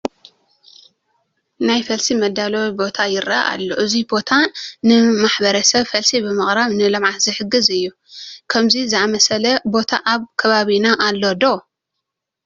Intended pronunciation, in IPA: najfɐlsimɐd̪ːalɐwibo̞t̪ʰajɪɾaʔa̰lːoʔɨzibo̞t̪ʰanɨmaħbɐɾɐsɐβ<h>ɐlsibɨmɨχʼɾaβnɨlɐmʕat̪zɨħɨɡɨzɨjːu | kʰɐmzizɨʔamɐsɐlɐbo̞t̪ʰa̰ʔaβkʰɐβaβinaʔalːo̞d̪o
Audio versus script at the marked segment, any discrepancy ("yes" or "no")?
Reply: yes